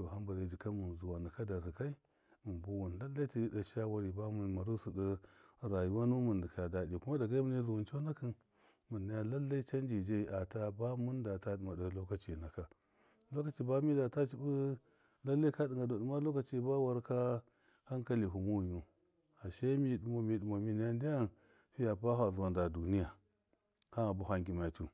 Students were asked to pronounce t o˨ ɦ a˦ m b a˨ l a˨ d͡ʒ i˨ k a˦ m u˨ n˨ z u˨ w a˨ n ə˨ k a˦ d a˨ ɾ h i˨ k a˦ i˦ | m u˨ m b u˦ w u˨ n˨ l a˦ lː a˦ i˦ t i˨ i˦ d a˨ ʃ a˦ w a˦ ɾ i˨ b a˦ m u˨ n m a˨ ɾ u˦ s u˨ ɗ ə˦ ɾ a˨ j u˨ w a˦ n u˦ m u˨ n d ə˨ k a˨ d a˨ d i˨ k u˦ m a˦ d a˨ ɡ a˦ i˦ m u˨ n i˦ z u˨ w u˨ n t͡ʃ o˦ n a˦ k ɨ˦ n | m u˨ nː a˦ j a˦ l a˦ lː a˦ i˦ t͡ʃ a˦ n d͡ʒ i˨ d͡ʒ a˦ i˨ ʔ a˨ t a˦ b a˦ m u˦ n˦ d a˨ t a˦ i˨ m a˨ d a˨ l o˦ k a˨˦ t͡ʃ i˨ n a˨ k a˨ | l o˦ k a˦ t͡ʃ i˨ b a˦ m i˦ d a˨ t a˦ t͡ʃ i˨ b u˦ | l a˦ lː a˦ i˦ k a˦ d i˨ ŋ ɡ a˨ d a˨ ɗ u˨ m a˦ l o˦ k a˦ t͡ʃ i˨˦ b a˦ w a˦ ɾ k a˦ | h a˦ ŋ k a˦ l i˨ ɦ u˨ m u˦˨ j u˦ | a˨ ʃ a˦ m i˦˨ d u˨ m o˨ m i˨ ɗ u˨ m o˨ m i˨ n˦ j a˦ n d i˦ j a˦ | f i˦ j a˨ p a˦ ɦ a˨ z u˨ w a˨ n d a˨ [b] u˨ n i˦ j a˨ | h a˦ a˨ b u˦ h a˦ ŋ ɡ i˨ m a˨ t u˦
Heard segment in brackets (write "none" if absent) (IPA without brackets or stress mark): d